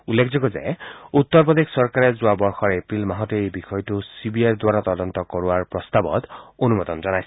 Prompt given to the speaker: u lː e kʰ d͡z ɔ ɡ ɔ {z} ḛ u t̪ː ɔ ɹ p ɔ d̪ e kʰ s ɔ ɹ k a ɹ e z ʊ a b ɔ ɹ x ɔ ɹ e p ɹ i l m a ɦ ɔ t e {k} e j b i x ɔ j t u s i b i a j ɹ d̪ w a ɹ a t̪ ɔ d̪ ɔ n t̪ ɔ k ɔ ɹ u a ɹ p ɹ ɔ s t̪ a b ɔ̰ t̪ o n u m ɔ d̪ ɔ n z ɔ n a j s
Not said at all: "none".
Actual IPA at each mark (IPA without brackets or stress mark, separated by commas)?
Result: z, none